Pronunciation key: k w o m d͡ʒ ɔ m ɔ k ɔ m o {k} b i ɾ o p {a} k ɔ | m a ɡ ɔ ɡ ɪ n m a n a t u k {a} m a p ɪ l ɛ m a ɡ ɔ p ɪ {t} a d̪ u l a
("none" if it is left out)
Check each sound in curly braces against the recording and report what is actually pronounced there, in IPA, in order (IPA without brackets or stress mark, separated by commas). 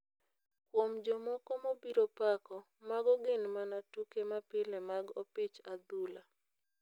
none, a, e, t͡ʃ